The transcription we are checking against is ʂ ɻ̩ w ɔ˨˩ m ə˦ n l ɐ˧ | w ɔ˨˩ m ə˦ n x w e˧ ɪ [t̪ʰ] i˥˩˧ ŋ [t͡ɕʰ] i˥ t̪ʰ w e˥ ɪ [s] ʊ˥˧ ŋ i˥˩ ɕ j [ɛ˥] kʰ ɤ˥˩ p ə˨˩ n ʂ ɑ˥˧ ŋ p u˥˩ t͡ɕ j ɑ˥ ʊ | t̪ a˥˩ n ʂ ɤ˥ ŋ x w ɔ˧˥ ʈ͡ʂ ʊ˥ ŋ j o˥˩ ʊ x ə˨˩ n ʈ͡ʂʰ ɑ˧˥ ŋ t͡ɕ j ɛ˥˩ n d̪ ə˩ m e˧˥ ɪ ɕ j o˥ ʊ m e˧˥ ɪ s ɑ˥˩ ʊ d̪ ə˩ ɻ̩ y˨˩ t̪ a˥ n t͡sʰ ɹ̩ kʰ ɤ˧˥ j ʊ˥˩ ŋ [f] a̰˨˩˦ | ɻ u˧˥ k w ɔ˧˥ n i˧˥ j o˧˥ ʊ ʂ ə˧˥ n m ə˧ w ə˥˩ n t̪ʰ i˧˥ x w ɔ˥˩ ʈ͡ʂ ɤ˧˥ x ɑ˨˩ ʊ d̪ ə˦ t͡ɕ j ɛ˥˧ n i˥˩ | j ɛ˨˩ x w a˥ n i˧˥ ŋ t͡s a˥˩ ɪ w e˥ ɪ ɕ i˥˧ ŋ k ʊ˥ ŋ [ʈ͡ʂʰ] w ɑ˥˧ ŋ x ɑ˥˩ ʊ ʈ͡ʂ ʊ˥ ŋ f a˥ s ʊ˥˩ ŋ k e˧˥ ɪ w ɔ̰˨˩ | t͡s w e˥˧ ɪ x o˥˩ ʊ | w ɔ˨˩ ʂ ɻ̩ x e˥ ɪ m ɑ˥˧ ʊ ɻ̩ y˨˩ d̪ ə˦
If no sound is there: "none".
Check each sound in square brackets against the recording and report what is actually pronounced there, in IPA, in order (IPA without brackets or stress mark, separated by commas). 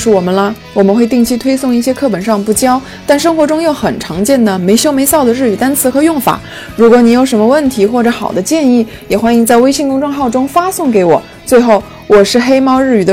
t̪, t͡ɕʰ, s, ɛ˥, f, ʈ͡ʂ